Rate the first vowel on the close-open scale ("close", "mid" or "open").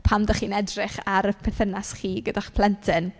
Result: open